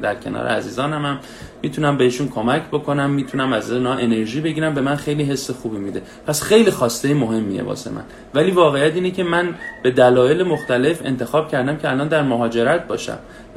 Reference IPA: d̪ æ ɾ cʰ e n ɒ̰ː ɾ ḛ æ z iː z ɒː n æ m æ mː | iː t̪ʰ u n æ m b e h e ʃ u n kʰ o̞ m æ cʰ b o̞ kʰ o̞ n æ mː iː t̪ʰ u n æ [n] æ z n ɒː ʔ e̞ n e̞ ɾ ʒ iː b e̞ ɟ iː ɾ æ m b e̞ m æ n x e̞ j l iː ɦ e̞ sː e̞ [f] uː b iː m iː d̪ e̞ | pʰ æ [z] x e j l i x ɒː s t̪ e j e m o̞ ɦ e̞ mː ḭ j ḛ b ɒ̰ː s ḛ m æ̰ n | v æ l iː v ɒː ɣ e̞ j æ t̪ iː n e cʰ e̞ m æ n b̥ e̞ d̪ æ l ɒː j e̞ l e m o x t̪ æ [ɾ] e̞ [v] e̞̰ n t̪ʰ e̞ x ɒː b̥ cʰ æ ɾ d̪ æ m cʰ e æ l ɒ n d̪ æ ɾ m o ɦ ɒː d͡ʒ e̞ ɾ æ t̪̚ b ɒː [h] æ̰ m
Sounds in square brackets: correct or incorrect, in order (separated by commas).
incorrect, incorrect, incorrect, incorrect, incorrect, incorrect